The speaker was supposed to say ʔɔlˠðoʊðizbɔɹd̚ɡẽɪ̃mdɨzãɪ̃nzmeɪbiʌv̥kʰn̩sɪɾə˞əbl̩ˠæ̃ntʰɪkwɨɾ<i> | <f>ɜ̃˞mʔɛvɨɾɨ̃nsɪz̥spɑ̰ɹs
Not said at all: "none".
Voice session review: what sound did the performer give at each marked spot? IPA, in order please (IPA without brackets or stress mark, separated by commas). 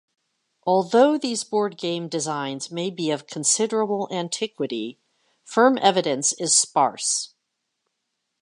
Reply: i, f